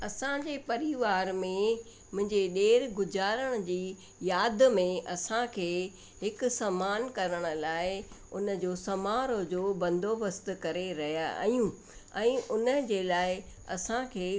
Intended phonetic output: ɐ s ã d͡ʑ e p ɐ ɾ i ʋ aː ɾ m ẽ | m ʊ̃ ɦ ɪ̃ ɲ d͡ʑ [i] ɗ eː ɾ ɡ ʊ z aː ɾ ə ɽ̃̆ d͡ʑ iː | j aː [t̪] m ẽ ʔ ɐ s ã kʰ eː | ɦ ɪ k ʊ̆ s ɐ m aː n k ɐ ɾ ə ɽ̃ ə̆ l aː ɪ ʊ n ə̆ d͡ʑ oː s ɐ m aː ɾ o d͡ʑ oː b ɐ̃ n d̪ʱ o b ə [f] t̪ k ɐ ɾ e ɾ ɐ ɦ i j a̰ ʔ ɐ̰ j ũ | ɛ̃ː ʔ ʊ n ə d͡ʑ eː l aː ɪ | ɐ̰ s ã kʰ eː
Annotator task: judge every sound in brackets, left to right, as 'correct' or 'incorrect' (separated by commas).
incorrect, incorrect, incorrect